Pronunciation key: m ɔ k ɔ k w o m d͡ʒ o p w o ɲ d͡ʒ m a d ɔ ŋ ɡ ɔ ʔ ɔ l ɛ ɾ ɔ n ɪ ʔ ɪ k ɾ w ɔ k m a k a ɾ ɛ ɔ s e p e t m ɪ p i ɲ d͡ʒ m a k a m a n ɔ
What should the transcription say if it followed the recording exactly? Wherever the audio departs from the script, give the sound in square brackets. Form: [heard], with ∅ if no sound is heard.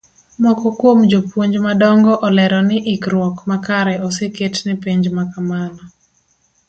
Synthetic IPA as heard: m ɔ k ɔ k w o m d͡ʒ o p w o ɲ d͡ʒ m a d ɔ ŋ ɡ ɔ ʔ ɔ l ɛ ɾ ɔ n ɪ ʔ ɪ k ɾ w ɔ k m a k a ɾ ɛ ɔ s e [k] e t [n] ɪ p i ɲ d͡ʒ m a k a m a n ɔ